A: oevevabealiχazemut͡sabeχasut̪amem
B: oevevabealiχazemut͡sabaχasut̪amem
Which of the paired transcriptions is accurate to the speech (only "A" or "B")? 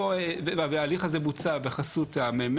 A